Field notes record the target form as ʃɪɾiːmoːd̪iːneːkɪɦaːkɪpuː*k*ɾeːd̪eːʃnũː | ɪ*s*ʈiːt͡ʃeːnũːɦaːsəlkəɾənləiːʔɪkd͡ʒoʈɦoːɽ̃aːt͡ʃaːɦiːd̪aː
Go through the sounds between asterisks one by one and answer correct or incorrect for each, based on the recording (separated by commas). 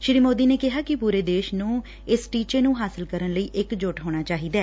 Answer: incorrect, correct